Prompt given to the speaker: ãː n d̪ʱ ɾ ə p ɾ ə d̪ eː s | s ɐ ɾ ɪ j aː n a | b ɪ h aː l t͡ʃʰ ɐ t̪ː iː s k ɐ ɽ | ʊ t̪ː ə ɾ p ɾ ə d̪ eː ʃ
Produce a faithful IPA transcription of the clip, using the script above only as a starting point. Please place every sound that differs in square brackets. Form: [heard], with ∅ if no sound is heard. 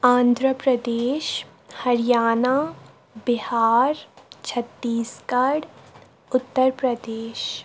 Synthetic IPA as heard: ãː n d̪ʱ ɾ ə p ɾ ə d̪ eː [ʃ] | [h] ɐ ɾ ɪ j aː n a | b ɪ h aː [ɾ] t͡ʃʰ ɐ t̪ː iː s k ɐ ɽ | ʊ t̪ː ə ɾ p ɾ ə d̪ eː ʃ